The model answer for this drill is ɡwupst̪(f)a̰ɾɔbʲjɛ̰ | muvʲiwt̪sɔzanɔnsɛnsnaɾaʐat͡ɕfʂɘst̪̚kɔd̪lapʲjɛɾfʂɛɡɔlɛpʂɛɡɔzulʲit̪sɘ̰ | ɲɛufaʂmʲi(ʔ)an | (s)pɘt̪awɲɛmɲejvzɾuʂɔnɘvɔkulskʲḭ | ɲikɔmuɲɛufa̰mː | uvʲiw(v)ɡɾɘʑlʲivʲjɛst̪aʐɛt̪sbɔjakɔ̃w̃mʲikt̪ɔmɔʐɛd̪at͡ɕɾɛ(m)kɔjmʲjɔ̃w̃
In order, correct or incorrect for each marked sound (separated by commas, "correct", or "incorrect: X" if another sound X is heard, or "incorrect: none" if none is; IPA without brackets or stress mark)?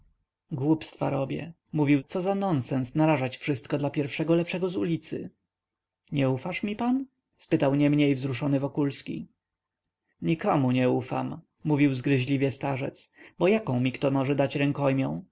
correct, incorrect: p, correct, incorrect: z, incorrect: ŋ